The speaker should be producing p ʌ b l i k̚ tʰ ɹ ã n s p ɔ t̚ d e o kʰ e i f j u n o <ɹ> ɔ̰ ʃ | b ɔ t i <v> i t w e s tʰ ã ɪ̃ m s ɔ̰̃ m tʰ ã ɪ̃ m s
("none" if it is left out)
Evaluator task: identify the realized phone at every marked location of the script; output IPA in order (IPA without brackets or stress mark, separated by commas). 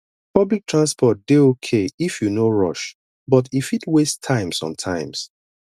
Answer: ɹ, f